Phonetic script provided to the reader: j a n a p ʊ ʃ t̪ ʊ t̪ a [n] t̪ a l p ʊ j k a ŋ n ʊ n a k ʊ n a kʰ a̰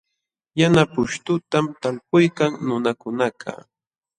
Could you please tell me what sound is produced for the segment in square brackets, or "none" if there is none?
m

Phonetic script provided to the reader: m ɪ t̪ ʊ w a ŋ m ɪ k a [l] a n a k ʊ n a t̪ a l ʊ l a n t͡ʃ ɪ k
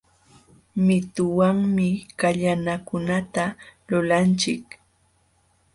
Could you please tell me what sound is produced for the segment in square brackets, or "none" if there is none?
ʎ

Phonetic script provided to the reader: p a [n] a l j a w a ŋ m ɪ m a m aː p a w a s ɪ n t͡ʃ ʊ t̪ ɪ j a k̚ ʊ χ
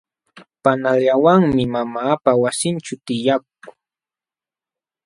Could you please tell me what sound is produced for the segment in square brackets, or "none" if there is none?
n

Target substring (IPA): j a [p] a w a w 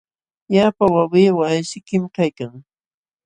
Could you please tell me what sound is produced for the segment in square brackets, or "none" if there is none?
p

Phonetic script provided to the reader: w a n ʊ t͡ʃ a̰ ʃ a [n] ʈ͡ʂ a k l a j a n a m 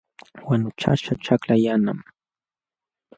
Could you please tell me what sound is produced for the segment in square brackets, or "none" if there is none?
none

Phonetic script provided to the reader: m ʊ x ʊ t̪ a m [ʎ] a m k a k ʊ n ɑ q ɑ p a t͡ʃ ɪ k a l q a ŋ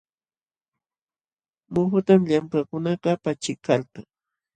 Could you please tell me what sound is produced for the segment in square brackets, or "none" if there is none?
ʎ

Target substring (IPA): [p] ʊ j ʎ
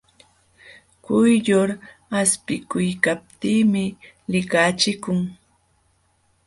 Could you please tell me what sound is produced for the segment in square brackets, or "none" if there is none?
k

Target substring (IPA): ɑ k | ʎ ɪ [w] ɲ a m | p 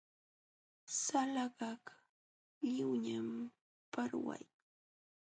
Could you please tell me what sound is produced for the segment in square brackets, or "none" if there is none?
w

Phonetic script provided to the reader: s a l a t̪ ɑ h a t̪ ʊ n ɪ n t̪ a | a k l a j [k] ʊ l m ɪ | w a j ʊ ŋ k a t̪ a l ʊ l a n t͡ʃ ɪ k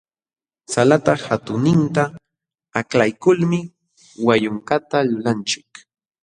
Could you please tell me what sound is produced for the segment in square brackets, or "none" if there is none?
k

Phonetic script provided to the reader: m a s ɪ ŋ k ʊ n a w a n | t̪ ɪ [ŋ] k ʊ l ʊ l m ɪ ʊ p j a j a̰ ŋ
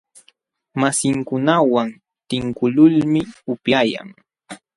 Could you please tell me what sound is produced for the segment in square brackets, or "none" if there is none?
ŋ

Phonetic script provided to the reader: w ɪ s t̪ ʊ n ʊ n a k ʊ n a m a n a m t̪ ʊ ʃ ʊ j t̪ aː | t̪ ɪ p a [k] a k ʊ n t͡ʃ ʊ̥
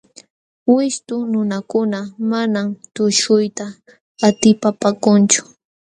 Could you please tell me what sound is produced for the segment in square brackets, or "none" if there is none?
p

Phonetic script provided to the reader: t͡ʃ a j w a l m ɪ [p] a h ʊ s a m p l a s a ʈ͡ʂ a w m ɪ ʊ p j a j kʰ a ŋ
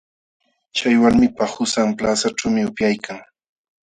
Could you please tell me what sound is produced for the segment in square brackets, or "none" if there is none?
p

